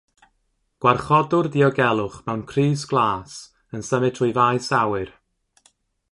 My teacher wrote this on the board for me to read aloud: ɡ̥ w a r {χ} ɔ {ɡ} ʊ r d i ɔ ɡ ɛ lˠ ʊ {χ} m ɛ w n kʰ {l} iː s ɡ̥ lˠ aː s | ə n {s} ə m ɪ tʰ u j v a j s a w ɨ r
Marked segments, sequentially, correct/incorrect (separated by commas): correct, incorrect, correct, incorrect, correct